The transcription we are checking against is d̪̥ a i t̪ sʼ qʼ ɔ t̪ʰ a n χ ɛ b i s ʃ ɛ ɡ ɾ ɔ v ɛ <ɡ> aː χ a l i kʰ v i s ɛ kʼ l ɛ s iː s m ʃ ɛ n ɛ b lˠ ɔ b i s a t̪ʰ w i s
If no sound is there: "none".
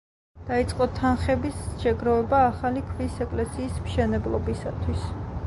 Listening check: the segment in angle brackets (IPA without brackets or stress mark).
b